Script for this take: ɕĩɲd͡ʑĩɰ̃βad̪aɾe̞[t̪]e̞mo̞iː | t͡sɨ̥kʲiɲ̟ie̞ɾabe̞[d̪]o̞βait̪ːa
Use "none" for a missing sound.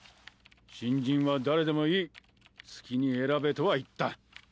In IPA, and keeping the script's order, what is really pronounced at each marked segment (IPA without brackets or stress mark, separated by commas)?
d̪, t̪